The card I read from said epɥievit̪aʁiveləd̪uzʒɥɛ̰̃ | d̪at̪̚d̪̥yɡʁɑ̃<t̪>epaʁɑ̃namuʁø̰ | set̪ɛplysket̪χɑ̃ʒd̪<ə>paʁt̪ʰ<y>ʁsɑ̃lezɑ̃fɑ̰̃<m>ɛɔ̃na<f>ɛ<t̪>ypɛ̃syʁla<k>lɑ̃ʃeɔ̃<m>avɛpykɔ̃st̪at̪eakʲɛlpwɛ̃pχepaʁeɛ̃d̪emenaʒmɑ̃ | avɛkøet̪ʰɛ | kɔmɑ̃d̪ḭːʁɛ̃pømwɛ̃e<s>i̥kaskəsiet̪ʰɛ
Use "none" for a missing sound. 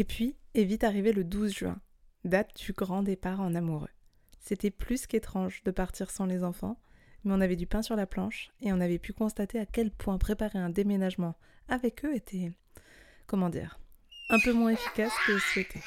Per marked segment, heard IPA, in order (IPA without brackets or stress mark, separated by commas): d̪, ə, i, m, v, d̪, p, n, f